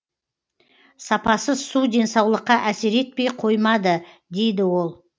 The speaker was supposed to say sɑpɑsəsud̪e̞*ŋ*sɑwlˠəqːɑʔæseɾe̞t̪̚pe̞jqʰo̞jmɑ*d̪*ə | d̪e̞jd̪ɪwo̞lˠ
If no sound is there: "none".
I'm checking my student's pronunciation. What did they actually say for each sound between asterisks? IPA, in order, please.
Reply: n, d̪

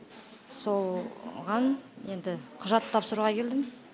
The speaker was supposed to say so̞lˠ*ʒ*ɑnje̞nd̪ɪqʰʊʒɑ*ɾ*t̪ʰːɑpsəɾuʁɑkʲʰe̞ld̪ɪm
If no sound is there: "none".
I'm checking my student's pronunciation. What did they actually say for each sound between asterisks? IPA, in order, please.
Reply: ʁ, none

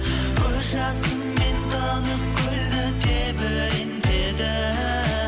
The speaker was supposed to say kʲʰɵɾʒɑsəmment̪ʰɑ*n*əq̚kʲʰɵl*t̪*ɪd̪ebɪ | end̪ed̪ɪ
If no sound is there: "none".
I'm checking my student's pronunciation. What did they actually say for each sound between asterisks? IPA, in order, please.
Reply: n, d̪

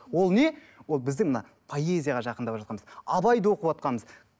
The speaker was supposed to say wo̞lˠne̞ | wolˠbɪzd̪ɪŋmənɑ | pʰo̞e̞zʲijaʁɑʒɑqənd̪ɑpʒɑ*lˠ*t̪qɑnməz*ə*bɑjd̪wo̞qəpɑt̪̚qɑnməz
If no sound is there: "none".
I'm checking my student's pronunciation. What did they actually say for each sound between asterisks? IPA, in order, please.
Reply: none, ɑ

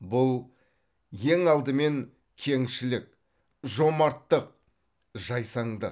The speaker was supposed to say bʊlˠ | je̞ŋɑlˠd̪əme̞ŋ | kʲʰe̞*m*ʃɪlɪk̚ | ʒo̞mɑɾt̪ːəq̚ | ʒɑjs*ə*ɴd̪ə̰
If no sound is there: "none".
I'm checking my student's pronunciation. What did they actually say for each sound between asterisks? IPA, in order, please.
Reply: ŋ, ɑ

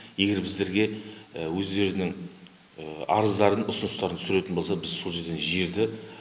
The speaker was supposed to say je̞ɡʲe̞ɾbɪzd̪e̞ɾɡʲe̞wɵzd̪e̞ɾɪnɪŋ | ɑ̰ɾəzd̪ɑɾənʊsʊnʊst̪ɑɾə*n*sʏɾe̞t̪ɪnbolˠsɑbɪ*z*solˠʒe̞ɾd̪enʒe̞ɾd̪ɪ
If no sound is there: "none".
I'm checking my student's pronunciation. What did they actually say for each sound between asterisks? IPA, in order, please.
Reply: n, z

